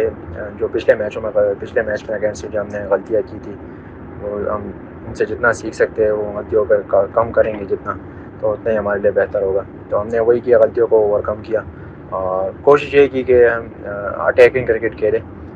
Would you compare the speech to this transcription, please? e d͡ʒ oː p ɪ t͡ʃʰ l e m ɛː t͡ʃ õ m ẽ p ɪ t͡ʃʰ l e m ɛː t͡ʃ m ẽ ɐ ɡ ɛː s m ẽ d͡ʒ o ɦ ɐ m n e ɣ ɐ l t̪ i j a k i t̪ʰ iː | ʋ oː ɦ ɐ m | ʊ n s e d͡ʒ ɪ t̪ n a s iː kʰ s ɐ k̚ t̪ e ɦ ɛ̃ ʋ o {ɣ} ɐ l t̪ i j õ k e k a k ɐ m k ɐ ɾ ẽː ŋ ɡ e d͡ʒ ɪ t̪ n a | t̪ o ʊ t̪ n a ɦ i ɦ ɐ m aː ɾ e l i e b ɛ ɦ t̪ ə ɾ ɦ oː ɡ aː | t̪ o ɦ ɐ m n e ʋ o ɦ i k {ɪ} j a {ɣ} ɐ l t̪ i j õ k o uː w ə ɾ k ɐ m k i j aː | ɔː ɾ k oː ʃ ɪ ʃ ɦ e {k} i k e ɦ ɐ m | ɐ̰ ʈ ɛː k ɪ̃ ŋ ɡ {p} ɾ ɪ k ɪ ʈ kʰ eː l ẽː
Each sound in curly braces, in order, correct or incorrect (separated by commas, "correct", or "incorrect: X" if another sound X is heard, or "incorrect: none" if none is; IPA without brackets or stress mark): correct, incorrect: i, correct, correct, incorrect: k